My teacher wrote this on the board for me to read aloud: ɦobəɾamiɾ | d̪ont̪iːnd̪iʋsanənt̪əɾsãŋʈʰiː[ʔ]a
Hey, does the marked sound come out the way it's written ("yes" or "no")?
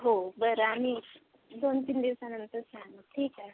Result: no